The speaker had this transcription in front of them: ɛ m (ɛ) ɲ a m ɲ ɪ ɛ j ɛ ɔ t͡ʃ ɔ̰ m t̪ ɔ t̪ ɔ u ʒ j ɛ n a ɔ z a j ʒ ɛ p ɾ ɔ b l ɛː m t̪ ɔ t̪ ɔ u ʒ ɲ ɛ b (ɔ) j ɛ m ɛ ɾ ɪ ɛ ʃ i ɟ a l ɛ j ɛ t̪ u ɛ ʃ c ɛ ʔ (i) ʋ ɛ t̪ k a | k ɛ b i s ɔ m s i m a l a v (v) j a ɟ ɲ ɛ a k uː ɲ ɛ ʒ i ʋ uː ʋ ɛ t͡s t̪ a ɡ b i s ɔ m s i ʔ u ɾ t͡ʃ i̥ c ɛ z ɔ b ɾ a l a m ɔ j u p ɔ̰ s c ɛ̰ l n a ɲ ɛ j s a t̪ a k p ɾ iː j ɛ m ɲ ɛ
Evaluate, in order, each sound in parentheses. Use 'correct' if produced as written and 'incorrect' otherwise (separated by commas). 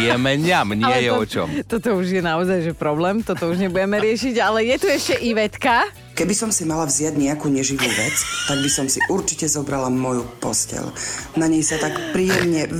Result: correct, incorrect, correct, incorrect